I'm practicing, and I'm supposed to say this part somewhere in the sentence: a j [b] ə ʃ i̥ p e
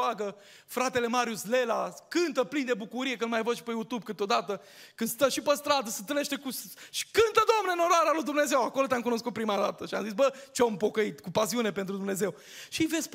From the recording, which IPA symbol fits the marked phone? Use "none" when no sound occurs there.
v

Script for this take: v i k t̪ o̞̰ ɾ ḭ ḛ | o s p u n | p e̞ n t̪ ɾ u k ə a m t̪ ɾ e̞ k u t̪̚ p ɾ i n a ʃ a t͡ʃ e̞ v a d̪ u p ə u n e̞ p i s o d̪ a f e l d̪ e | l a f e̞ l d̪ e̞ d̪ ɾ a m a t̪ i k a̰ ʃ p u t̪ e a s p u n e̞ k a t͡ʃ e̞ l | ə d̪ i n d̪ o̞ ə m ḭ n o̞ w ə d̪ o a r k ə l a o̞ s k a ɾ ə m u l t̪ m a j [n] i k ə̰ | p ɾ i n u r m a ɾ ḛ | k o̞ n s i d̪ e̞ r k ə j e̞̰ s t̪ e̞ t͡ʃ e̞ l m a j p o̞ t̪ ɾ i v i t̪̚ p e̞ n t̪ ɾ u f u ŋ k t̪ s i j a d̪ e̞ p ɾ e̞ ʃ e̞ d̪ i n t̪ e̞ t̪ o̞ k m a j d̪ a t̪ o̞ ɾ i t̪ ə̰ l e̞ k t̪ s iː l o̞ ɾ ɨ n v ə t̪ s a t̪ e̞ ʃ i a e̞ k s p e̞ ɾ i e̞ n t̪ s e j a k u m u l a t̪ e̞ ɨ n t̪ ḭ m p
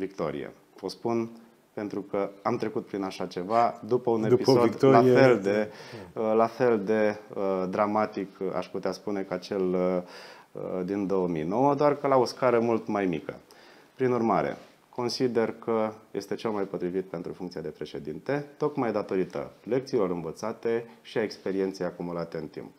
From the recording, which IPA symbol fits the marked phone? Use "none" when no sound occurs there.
m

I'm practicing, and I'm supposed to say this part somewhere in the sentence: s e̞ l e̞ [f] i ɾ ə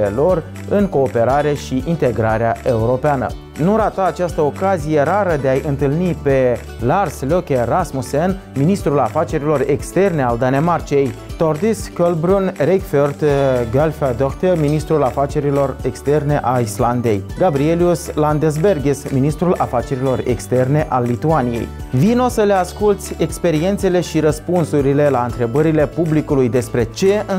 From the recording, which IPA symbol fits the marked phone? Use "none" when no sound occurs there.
ʃ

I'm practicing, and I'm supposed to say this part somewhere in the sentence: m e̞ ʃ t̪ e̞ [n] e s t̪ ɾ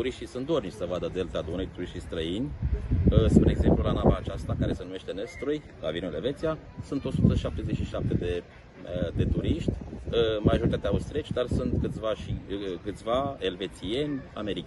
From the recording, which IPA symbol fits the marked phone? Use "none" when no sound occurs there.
n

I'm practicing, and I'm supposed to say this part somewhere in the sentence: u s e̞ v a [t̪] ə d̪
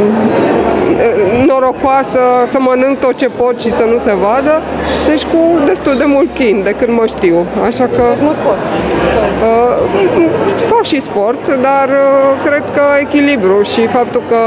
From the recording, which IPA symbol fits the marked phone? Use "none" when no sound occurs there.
d̪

